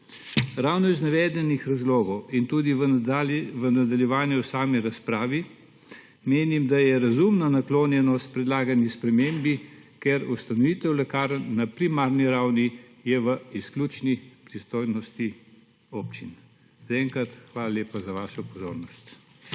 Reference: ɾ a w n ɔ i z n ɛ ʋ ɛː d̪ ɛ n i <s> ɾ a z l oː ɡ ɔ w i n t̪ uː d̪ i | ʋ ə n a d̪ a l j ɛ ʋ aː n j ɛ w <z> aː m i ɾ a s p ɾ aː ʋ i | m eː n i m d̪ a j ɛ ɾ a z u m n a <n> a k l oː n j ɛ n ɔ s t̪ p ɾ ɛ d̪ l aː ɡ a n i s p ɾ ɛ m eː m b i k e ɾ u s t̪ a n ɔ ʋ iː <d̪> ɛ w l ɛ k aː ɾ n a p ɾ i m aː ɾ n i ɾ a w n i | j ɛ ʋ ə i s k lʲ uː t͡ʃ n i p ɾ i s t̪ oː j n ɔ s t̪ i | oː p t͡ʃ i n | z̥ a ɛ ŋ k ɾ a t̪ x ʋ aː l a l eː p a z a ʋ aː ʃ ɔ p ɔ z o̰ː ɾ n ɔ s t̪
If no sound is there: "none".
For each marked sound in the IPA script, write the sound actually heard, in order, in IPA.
x, s, n, t̪

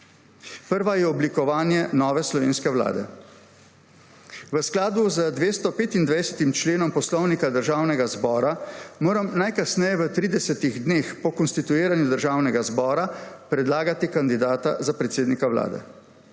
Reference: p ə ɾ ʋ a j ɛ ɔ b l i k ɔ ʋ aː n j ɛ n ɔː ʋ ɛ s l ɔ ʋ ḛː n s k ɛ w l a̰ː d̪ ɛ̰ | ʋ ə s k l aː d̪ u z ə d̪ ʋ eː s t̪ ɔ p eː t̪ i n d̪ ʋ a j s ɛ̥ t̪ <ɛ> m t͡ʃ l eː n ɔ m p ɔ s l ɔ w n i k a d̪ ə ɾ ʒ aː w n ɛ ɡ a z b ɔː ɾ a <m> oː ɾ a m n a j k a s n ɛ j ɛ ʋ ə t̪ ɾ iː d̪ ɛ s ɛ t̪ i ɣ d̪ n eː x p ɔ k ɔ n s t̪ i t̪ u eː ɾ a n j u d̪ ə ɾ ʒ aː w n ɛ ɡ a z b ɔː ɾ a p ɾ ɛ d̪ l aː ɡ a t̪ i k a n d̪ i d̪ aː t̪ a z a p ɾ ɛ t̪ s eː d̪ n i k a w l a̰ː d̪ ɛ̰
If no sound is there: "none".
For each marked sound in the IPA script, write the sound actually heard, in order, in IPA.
i, m

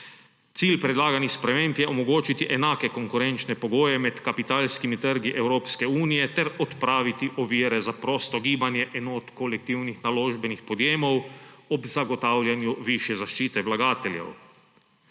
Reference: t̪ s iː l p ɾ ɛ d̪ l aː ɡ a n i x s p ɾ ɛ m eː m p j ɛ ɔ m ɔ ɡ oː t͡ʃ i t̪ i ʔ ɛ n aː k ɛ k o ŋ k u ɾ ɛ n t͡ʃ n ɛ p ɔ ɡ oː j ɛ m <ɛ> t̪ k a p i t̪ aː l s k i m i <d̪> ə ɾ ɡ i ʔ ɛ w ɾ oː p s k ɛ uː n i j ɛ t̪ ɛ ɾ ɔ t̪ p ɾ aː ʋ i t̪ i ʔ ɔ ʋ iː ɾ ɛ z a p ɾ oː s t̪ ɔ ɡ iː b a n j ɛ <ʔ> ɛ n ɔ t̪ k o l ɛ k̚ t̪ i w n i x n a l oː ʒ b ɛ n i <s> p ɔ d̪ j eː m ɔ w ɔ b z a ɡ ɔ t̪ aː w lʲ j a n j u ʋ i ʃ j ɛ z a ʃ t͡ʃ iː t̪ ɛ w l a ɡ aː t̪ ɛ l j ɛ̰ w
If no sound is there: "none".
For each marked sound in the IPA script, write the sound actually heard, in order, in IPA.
ɛ, t̪, ʔ, x

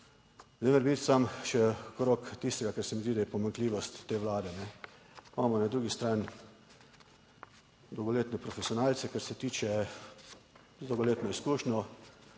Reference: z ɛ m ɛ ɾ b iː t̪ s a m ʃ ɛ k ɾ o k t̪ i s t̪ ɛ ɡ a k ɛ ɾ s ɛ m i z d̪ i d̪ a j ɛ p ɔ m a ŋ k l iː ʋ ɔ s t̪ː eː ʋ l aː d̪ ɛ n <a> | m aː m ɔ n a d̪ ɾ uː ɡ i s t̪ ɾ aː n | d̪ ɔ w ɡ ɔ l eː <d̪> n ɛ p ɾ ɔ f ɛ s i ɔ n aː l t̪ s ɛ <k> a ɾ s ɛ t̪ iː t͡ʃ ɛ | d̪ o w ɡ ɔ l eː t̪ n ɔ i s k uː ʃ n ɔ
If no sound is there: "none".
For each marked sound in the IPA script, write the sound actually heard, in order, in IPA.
ɛ, t̪, k

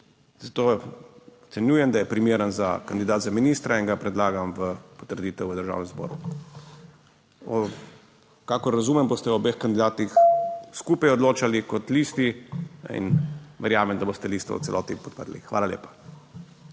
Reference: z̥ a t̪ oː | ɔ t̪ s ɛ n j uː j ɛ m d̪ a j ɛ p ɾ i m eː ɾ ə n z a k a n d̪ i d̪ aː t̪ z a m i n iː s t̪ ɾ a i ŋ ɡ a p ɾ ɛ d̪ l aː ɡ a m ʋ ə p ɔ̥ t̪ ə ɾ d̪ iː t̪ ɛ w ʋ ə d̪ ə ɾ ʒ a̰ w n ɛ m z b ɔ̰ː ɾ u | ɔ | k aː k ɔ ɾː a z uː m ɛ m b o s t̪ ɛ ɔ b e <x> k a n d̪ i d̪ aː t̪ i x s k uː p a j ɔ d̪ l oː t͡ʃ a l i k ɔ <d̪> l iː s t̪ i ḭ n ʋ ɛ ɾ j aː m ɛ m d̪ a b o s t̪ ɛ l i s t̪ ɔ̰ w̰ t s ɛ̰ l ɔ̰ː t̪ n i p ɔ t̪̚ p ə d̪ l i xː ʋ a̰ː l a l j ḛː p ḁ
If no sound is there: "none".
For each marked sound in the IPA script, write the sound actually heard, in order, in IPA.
x, t̪

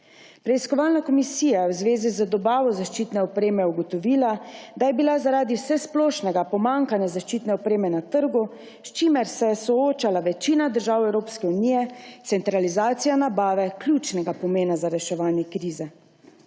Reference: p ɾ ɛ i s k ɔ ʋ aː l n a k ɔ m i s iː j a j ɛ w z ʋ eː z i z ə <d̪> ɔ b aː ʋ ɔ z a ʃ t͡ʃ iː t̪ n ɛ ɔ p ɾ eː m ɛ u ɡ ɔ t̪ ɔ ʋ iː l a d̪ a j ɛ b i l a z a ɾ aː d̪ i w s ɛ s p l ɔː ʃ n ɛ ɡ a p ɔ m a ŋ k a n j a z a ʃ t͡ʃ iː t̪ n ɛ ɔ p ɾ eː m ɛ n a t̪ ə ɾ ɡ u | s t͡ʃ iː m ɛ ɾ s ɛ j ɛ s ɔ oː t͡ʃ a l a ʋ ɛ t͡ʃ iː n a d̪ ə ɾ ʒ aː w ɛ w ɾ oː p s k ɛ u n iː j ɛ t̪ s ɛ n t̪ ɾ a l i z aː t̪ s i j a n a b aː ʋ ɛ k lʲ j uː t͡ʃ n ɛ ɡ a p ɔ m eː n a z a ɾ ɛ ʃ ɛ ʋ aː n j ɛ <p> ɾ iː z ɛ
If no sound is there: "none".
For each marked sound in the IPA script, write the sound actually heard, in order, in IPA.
d̪, k

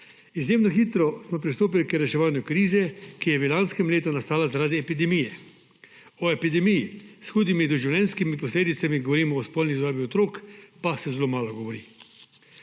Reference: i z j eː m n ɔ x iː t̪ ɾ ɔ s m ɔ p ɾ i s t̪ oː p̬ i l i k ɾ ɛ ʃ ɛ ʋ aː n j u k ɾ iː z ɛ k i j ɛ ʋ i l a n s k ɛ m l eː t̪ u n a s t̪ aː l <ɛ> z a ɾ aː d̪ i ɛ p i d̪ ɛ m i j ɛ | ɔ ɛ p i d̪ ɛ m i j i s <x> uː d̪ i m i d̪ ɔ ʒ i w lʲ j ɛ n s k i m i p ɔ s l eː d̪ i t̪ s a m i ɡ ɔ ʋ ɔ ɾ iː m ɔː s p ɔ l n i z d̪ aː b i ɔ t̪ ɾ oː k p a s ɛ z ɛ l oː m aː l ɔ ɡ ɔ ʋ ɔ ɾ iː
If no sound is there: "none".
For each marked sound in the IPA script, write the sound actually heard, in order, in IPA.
a, x

